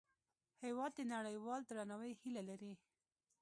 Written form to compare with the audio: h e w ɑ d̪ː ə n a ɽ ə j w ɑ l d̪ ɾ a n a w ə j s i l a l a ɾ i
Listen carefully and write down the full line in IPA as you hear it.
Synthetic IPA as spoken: h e w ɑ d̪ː ə n a ɽ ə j w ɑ l d̪ ɾ a n a w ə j h i l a l a ɾ i